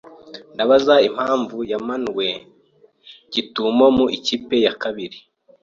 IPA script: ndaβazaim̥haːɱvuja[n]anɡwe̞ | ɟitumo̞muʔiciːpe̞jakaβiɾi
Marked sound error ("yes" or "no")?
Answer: yes